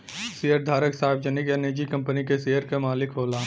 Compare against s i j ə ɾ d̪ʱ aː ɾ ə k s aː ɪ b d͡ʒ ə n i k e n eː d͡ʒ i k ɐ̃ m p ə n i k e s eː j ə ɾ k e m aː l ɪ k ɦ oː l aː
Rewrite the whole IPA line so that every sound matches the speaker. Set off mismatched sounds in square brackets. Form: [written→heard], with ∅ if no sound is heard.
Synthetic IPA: s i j ə ɾ d̪ʱ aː ɾ ə k s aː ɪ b d͡ʒ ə n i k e n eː d͡ʒ i k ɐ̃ m p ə n i k e s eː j ə ɾ k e m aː l ɪ k ɦ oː l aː